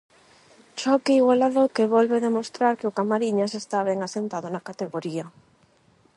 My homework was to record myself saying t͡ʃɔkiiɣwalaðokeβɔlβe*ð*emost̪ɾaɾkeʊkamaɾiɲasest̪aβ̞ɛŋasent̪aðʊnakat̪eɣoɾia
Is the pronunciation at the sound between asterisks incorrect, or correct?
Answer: correct